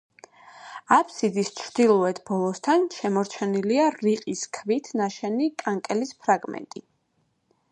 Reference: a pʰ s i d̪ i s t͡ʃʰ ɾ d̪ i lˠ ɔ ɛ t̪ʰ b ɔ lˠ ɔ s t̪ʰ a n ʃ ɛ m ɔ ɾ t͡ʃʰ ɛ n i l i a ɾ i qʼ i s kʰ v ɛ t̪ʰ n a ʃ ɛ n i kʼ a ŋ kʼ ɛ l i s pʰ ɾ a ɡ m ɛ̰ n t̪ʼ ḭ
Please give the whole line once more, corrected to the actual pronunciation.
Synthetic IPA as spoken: a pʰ s i d̪ i s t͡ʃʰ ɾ d̪ i lˠ ɔ ɛ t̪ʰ b ɔ lˠ ɔ s t̪ʰ a n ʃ ɛ m ɔ ɾ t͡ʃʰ ɛ n i l i a ɾ i qʼ i s kʰ v i t̪ʰ n a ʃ ɛ n i kʼ a ŋ kʼ ɛ l i s pʰ ɾ a ɡ m ɛ̰ n t̪ʼ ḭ